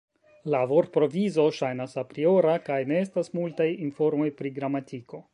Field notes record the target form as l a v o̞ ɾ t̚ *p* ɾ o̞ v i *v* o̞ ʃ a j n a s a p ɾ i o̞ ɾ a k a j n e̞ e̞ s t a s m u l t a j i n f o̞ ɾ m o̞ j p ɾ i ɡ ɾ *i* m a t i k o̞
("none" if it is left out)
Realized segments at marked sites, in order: p, z, a

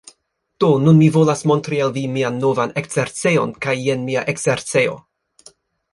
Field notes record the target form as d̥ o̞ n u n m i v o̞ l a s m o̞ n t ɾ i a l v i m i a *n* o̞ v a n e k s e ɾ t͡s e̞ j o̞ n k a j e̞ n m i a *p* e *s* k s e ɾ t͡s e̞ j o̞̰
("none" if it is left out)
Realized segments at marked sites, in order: nː, ʔ, none

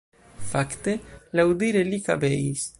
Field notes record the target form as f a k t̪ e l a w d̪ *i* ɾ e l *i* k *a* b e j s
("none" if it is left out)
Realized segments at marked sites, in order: i, i, a

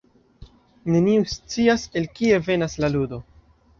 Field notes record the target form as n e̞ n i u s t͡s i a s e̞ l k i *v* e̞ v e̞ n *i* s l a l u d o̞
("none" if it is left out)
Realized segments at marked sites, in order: none, a

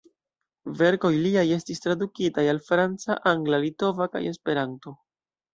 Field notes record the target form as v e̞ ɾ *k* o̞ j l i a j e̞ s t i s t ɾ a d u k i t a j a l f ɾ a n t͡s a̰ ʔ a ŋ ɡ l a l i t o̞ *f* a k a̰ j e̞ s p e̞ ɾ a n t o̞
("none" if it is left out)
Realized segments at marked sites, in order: k, v

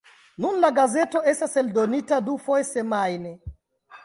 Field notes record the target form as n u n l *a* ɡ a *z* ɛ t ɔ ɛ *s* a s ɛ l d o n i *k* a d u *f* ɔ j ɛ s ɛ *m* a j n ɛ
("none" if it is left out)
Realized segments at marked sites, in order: a, z, s, t, f, m

